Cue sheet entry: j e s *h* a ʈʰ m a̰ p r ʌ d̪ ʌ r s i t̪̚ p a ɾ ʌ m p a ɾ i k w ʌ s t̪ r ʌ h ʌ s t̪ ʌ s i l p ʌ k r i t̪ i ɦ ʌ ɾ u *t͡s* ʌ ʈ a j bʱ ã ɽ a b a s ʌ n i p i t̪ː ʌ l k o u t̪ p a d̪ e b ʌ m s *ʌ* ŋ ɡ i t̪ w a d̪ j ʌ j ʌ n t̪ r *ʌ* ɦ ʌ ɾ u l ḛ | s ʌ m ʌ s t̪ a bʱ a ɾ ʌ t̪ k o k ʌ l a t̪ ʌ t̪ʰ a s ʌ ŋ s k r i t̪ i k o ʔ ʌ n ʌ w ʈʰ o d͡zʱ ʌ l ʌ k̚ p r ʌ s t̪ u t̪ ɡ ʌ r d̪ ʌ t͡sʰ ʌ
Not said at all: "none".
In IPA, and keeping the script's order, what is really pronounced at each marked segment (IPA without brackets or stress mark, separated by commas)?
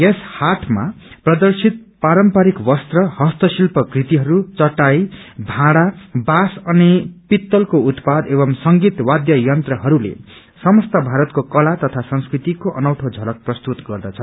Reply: h, t͡s, ʌ, ʌ